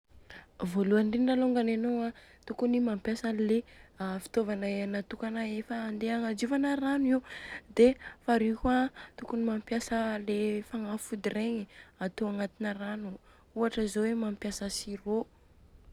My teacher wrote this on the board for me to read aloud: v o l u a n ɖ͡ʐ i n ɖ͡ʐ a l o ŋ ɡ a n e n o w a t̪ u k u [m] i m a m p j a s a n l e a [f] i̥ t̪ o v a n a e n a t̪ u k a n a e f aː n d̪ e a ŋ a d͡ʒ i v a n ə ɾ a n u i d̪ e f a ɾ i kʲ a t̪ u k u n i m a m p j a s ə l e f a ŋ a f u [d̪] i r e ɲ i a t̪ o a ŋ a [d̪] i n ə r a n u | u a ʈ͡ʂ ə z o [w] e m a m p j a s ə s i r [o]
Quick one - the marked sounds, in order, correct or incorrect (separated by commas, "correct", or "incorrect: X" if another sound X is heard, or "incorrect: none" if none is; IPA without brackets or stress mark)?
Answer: incorrect: n, correct, correct, incorrect: t̪, correct, correct